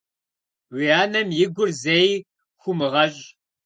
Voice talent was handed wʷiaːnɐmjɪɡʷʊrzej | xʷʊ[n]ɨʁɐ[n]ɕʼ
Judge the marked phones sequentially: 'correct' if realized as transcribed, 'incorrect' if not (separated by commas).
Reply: incorrect, incorrect